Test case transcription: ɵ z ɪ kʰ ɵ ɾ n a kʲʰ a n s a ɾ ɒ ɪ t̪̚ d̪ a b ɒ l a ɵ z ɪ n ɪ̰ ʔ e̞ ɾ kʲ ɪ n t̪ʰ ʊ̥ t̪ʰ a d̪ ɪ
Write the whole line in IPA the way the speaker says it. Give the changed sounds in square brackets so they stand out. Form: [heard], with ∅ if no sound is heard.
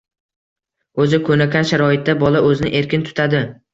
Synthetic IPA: ɵ z ɪ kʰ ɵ [∅] n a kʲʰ a n [ʃ] a ɾ ɒ ɪ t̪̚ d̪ a b ɒ l a ɵ z ɪ n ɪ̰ ʔ e̞ ɾ kʲ ɪ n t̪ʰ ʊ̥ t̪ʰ a d̪ ɪ